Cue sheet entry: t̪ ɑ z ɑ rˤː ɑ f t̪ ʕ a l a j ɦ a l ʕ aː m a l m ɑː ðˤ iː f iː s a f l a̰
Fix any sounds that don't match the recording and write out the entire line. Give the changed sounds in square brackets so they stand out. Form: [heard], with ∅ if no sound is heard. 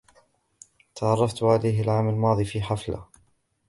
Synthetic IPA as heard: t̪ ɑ [ʕ] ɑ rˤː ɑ f t̪ ʕ a l a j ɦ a l ʕ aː m a l m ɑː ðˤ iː f iː [ħ] a f l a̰